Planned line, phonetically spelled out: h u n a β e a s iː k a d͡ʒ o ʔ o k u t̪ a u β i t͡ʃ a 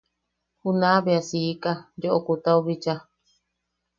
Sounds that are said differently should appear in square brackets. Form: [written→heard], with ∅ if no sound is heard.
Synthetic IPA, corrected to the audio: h u n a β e a s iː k a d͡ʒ o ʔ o k u t̪ a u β i t͡ʃ a